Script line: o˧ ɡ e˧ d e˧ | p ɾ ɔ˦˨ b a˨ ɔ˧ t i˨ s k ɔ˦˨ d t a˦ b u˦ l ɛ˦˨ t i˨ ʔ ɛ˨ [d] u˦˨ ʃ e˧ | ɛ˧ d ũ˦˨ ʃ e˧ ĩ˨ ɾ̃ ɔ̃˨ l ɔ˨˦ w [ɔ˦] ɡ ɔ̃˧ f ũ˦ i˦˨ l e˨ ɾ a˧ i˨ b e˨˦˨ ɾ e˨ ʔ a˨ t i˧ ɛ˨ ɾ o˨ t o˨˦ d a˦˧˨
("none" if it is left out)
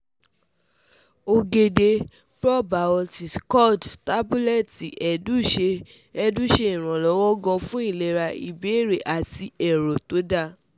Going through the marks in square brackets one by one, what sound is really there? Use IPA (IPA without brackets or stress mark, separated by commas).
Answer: d, ɔ˦